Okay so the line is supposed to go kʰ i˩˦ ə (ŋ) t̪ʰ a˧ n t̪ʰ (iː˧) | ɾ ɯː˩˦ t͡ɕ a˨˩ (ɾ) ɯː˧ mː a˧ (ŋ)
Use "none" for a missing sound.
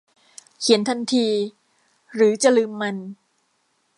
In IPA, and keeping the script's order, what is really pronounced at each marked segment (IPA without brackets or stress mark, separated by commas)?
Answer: n, iː˧, l, n